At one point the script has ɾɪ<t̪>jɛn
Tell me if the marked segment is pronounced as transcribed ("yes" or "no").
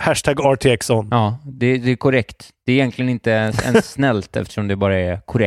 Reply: no